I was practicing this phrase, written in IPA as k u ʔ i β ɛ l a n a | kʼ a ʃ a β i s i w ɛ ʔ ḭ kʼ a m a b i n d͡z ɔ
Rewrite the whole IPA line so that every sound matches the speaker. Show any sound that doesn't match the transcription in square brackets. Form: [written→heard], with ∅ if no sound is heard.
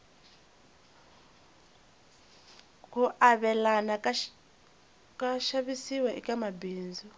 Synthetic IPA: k u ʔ [i→a] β ɛ l a n a | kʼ a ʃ a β i s i w ɛ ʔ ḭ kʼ a m a b [i→iː] n d͡z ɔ